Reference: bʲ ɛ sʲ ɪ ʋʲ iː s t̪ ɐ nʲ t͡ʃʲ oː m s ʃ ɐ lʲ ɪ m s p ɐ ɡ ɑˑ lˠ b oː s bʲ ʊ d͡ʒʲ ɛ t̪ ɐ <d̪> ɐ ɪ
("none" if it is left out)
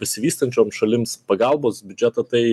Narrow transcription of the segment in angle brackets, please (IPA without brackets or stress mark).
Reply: t̪